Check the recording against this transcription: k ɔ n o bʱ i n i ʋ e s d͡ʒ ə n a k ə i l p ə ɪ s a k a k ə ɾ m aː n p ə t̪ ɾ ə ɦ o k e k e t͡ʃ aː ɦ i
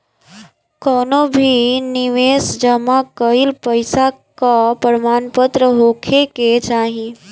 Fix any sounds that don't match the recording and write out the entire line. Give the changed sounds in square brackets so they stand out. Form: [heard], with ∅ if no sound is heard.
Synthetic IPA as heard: k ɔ n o bʱ i n i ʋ e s d͡ʒ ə [m] a k ə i l p ə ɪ s a k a [p] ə ɾ m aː n p ə t̪ ɾ ə ɦ o [kʰ] e k e t͡ʃ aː ɦ i

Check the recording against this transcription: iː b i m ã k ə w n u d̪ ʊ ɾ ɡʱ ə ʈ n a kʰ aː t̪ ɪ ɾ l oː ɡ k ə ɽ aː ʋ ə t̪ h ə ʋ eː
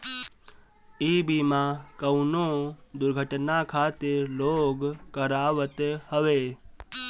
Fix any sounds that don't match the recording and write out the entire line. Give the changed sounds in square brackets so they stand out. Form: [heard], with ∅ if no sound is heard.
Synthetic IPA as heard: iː b i m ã k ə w n [o] d̪ ʊ ɾ ɡʱ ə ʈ n a kʰ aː t̪ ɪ ɾ l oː ɡ k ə [ɾ] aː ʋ ə t̪ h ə ʋ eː

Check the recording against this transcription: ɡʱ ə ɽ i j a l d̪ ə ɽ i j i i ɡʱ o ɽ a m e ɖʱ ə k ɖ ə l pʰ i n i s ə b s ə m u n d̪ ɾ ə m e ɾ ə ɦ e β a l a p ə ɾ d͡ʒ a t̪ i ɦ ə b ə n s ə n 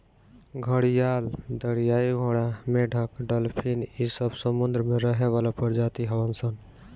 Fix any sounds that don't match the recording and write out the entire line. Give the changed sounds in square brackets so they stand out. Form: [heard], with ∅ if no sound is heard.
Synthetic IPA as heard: ɡʱ ə ɽ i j a l d̪ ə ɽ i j [a] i ɡʱ o ɽ a m e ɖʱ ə k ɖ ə l pʰ i n i s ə b s ə m u n d̪ ɾ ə m e ɾ ə ɦ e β a l a p ə ɾ d͡ʒ a t̪ i ɦ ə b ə n s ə n

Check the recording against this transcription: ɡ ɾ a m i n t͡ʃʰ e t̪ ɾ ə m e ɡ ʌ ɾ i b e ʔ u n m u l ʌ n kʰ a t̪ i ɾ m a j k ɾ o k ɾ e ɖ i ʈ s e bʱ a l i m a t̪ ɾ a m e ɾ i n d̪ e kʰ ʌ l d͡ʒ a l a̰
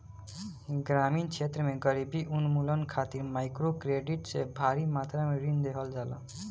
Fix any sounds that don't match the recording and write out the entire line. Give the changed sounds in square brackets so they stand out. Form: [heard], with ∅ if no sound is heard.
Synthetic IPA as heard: ɡ ɾ a m i n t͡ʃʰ e t̪ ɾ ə m e ɡ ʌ ɾ i b [i] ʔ u n m u l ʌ n kʰ a t̪ i ɾ m a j k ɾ o k ɾ e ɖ i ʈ s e bʱ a [ɾ] i m a t̪ ɾ a m e ɾ i n d̪ e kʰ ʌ l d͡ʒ a l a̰

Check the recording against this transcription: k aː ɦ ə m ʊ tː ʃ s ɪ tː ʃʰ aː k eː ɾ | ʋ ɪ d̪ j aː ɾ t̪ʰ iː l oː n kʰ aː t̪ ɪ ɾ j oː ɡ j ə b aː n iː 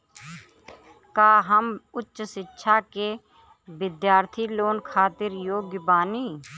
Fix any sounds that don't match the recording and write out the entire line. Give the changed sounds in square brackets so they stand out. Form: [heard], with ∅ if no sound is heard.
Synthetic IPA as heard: k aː ɦ ə m ʊ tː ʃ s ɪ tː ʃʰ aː k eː [∅] | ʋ ɪ d̪ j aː ɾ t̪ʰ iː l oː n kʰ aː t̪ ɪ ɾ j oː ɡ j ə b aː n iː

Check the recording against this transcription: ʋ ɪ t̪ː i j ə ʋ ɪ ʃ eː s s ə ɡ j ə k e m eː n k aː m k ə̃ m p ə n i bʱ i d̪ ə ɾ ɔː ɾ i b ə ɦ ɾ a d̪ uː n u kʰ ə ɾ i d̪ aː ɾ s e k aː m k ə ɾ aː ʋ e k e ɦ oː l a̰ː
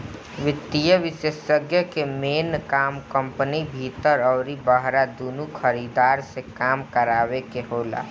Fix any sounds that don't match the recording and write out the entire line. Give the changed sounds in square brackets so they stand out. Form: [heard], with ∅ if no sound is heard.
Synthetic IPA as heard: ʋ ɪ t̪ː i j ə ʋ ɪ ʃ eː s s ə ɡ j ə k e m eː n k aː m k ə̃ m p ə n i bʱ i [t̪] ə ɾ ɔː ɾ i b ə ɦ ɾ a d̪ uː n u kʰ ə ɾ i d̪ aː ɾ s e k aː m k ə ɾ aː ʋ e k e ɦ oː l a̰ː

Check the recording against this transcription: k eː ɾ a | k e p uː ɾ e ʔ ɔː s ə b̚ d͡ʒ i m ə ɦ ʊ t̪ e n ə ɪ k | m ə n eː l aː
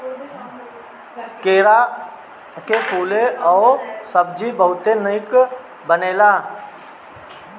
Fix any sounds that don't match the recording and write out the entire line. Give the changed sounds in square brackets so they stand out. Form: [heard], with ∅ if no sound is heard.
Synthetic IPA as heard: k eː ɾ a | k e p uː [l] e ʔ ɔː s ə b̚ d͡ʒ i [b] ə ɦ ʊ t̪ e n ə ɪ k | [b] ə n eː l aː

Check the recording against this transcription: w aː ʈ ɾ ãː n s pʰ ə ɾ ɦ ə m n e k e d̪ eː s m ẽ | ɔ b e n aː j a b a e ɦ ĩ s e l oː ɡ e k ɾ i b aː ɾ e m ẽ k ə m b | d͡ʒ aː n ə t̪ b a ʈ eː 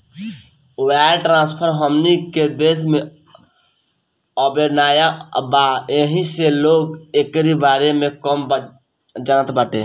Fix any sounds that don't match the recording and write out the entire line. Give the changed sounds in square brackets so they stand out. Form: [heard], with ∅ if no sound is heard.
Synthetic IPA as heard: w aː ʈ ɾ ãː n s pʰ ə ɾ ɦ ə m n [i] k e d̪ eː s m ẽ | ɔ b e n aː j a b a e ɦ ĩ s e l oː ɡ e k ɾ i b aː ɾ e m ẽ k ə m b | d͡ʒ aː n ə t̪ b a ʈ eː

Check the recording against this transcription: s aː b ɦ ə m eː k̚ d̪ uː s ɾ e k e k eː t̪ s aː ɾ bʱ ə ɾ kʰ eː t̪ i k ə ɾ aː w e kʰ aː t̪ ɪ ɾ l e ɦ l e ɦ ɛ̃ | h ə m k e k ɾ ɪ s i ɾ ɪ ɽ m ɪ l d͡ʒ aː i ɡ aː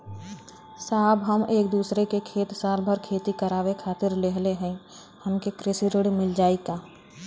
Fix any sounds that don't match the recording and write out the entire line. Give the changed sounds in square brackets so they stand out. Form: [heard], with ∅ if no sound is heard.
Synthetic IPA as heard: s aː b ɦ ə m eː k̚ d̪ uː s ɾ e k e [kʰ] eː t̪ s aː ɾ bʱ ə ɾ kʰ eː t̪ i k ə ɾ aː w e kʰ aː t̪ ɪ ɾ l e ɦ l e ɦ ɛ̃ | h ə m k e k ɾ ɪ s i ɾ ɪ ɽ m ɪ l d͡ʒ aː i [k] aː

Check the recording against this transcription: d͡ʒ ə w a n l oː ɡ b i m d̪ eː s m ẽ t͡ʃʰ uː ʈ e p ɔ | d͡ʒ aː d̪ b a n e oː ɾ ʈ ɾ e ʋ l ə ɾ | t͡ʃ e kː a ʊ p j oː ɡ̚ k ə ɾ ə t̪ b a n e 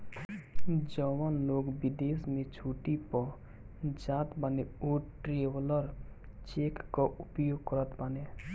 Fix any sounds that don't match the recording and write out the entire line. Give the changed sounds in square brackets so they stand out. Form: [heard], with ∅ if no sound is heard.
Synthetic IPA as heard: d͡ʒ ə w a n l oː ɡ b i [∅] d̪ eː s m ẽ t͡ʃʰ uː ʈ [i] p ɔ | d͡ʒ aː [t̪] b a n e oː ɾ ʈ ɾ e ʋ l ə ɾ | t͡ʃ e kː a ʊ p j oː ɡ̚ k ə ɾ ə t̪ b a n e

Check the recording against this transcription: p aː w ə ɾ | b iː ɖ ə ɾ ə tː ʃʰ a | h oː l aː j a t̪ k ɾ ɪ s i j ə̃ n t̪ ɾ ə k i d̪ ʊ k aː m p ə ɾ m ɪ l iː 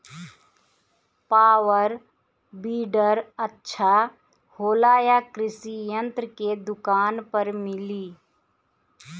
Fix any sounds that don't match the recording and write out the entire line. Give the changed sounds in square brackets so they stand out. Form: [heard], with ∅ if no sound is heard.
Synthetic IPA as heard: p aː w ə ɾ | b iː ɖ ə ɾ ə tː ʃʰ a | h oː l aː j a [∅] k ɾ ɪ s i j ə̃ n t̪ ɾ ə k [e] d̪ ʊ k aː [n] p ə ɾ m ɪ l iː

